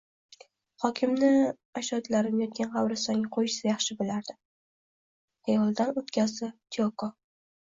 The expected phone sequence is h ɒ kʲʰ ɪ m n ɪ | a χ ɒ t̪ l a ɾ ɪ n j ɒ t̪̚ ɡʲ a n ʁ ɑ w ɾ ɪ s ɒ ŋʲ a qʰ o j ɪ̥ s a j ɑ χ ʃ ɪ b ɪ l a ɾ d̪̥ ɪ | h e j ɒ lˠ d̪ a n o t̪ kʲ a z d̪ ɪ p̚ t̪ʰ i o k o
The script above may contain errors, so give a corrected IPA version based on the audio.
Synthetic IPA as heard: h ɒ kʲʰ ɪ m n ɪ | a ʃ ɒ t̪ l a ɾ ɪ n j ɒ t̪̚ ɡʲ a n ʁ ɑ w ɾ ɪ s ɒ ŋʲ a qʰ o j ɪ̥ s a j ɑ χ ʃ ɪ b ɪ l a ɾ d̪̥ ɪ | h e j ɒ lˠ d̪ a n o t̪ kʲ a z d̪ ɪ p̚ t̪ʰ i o k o

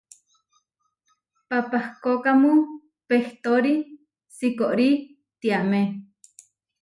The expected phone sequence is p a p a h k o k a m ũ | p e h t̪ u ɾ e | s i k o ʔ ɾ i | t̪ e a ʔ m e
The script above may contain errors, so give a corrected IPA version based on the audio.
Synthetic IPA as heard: p a p a h k o k a m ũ | p e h t̪ o ɾ i | s i k o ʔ ɾ i | t̪ i a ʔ m e

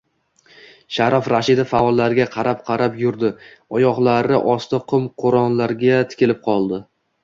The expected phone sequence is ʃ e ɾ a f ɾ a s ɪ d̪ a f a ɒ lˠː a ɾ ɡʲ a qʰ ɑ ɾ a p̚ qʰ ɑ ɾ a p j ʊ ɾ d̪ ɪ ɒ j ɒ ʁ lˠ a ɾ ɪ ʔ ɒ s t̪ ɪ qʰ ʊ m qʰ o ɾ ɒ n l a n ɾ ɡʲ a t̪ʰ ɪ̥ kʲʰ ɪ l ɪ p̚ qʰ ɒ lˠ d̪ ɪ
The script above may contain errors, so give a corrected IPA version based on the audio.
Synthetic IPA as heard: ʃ a ɾ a f ɾ a ʃ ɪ d̪ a f a ɒ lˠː a ɾ ɡʲ a qʰ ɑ ɾ a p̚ qʰ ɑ ɾ a p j ʊ ɾ d̪ ɪ ɒ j ɒ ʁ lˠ a ɾ ɪ ʔ ɒ s t̪ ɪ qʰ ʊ m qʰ o ɾ ɒ n l a ɾ ɡʲ a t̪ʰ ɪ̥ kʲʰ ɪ l ɪ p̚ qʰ ɒ lˠ d̪ ɪ

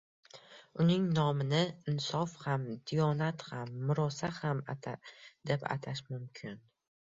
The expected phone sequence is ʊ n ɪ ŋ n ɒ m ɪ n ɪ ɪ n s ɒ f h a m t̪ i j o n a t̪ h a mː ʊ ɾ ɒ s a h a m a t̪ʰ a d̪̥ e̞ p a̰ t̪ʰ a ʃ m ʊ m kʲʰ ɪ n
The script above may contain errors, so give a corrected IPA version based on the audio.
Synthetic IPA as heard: ʊ n ɪ ŋ n ɒ m ɪ n ɪ ɪ n s ɒ f h a m d̪ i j ɒ n a t̪ h a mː ʊ ɾ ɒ s a h a m a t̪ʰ a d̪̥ e̞ p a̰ t̪ʰ a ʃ m ʊ m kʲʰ ɪ n

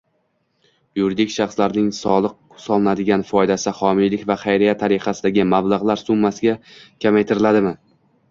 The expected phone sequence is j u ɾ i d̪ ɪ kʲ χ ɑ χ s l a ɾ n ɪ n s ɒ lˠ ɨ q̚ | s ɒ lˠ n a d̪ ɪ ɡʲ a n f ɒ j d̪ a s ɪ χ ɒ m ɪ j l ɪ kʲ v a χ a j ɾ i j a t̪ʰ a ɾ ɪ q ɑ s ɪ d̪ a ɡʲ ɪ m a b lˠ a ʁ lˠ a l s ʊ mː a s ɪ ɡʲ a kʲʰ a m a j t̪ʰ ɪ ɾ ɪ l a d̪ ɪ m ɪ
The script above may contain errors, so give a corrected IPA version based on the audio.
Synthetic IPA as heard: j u ɾ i d̪ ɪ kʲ ʃ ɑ χ s l a ɾ n ɪ ŋ s ɒ lˠ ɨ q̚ | s ɒ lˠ n a d̪ ɪ ɡʲ a n f ɒ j d̪ a s ɪ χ ɒ m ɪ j l ɪ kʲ v a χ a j ɾ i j a t̪ʰ a ɾ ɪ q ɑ s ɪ d̪ a ɡʲ ɪ m a b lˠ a ʁ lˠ a ɾ s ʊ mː a s ɪ ɡʲ a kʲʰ a m a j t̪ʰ ɪ ɾ ɪ l a d̪ ɪ m ɪ

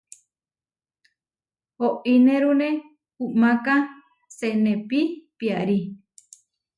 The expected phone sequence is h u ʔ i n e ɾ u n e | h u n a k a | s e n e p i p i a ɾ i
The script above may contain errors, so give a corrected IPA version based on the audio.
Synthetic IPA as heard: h o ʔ i n e ɾ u n e | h u m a k a | s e n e p i p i a ɾ i

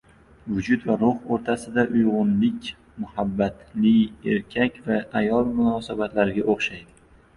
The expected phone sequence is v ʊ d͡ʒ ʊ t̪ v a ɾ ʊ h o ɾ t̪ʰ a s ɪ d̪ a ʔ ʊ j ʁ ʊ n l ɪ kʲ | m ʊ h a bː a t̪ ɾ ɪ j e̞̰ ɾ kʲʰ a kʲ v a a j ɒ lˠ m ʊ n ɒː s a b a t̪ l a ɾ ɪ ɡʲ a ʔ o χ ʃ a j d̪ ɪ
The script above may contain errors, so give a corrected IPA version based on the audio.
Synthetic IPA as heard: v ʊ d͡ʒ ʊ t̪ v a ɾ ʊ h o ɾ t̪ʰ a s ɪ d̪ a ʔ ʊ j ʁ ʊ n l ɪ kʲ | m ʊ h a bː a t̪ l ɪ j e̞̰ ɾ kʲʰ a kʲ v a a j ɒ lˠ m ʊ n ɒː s a b a t̪ l a ɾ ɪ ɡʲ a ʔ o χ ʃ a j d̪ ɪ

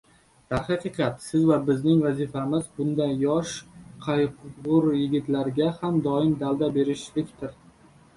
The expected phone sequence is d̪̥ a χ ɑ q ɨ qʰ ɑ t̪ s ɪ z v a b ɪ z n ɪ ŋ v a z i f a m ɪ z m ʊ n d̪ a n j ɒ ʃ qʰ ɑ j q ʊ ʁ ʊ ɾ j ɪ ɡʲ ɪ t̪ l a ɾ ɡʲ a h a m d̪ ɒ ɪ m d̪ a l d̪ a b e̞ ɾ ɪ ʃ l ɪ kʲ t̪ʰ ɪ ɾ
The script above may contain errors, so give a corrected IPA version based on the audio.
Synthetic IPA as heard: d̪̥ a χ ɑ q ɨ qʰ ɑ t̪ s ɪ z v a b ɪ z n ɪ ŋ v a z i f a m ɪ z b ʊ n d̪ a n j ɒ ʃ qʰ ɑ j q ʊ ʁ ʊ ɾ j ɪ ɡʲ ɪ t̪ l a ɾ ɡʲ a h a m d̪ ɒ ɪ m d̪ a l d̪ a b e̞ ɾ ɪ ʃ l ɪ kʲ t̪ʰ ɪ ɾ

